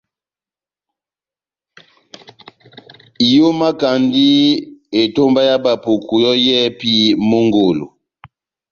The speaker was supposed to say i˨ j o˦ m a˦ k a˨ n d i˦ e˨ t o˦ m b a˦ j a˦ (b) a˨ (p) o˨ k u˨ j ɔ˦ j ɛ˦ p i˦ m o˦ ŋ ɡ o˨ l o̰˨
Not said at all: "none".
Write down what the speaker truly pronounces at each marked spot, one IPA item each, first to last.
b, p

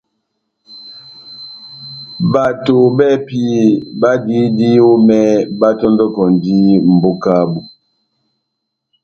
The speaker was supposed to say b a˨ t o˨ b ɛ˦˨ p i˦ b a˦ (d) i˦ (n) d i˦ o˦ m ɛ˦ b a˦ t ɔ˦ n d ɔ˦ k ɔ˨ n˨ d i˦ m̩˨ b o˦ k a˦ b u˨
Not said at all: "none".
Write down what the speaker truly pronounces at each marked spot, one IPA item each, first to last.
d, none

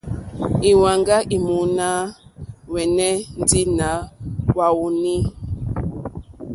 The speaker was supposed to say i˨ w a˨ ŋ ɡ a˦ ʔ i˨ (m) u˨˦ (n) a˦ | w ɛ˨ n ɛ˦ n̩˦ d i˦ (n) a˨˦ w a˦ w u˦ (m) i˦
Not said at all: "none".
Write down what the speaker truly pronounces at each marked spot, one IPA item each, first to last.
m, n, n, n

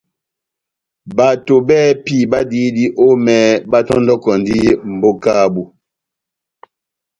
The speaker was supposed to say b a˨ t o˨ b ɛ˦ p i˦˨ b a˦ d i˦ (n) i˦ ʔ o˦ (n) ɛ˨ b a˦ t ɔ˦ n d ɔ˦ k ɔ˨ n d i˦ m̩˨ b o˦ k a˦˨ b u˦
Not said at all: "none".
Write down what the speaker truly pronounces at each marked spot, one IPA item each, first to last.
d, m

